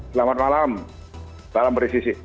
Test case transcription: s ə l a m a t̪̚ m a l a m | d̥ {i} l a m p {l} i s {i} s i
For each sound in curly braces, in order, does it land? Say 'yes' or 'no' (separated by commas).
no, no, yes